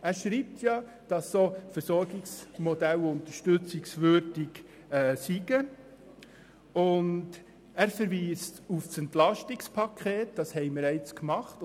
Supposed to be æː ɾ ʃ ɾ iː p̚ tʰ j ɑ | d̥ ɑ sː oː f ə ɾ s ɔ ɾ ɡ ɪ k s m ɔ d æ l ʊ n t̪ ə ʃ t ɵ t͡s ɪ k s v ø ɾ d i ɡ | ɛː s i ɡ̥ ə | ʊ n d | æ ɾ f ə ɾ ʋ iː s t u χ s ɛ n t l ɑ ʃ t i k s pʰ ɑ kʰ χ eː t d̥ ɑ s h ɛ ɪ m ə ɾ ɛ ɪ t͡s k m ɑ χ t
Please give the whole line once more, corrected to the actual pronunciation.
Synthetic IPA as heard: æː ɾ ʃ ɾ iː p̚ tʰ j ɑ | d̥ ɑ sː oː f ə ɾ s ɔ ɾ ɡ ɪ k s m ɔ d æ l ʊ n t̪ ə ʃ t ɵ t͡s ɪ k s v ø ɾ d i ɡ | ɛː s i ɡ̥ ə | ʊ n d | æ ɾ f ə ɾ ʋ iː s t u f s ɛ n t l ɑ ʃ t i k s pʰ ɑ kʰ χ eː t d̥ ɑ s h ɛ ɪ m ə ɾ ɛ ɪ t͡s k m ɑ χ t